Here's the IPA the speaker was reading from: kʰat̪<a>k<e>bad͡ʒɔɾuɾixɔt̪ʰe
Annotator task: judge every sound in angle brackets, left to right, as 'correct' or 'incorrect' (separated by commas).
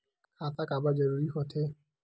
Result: correct, incorrect